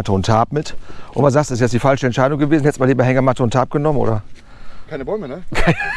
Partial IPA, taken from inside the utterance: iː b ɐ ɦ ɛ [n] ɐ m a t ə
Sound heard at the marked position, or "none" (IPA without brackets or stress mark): ŋ